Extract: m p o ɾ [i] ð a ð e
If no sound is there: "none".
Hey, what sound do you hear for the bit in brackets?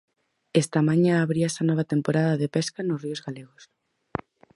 a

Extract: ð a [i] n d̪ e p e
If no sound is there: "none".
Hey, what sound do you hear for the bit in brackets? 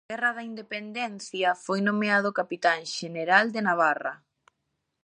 i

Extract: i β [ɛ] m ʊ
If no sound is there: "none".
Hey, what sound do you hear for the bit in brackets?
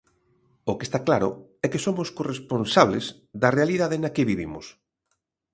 i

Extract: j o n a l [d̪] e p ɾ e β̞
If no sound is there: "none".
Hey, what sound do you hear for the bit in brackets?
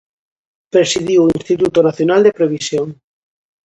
d̪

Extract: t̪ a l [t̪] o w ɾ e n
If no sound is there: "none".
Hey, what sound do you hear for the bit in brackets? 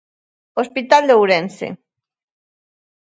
d̪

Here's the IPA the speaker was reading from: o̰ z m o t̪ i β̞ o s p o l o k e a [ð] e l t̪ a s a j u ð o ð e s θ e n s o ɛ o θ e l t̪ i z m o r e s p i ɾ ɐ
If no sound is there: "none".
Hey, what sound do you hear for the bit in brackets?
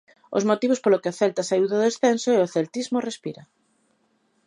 θ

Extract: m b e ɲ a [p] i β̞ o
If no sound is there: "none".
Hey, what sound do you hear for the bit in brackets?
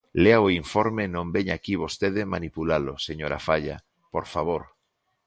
k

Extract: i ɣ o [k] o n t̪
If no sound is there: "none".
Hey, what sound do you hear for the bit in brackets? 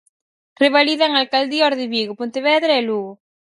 p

